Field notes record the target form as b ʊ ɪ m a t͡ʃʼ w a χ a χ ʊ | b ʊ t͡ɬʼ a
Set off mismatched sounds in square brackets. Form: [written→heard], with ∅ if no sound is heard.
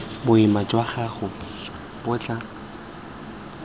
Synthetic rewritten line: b ʊ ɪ m a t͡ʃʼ w a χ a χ ʊ | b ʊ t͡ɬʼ a